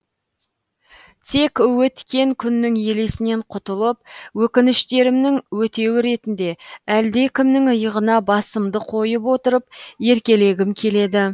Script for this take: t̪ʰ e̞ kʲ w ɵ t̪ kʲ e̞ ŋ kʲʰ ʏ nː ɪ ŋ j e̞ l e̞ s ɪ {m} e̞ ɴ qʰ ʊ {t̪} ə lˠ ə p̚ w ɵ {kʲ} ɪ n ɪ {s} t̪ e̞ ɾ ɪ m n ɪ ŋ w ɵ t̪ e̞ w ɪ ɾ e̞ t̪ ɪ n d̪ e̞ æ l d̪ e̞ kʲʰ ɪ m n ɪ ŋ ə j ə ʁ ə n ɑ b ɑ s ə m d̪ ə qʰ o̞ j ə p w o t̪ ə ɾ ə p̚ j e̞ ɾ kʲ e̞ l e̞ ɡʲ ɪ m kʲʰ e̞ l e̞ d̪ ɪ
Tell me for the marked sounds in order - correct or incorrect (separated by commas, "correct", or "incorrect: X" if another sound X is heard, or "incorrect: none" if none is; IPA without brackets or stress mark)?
incorrect: n, correct, correct, incorrect: ʃ